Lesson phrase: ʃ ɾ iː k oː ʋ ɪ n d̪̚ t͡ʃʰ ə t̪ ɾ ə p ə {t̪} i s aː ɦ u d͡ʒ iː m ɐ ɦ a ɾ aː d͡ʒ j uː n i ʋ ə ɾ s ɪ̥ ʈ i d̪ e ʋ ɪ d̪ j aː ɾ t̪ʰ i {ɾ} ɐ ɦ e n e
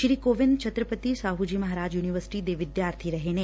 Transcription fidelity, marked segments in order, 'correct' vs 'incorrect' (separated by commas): correct, correct